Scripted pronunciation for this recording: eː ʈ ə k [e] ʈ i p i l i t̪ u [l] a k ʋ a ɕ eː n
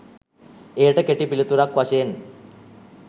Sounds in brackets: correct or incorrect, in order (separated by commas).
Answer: correct, incorrect